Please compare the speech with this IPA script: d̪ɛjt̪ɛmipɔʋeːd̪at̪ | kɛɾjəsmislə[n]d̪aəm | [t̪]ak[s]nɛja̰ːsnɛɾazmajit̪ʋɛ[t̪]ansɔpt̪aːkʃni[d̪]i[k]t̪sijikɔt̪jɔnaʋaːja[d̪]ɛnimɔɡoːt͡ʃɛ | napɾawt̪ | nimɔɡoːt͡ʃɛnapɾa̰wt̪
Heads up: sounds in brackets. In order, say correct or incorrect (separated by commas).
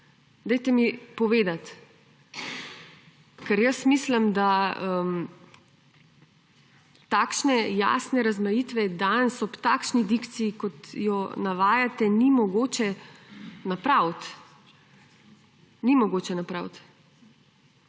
incorrect, correct, incorrect, incorrect, correct, correct, incorrect